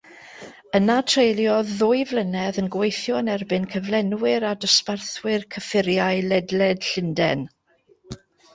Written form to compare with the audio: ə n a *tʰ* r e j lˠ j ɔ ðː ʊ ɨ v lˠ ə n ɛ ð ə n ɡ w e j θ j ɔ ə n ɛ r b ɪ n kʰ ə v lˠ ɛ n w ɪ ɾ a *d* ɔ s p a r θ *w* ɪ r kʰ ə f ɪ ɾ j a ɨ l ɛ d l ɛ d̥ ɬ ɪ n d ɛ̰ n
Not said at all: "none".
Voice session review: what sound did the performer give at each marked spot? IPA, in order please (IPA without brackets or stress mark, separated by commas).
tʰ, d, w